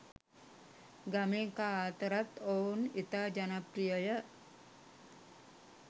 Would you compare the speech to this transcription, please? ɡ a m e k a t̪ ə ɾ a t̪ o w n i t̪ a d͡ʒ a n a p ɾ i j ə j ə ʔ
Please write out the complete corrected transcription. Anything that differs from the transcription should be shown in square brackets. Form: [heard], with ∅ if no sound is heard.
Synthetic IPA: ɡ a m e k a t̪ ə ɾ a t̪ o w n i t̪ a d͡ʒ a n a p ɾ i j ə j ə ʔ